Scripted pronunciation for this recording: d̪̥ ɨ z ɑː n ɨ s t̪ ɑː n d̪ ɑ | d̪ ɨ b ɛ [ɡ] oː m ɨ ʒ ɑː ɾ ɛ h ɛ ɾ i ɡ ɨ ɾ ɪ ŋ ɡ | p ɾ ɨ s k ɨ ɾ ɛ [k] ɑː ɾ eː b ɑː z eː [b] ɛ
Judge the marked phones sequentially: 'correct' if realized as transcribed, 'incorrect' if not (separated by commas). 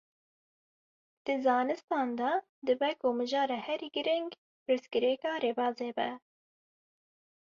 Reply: incorrect, correct, correct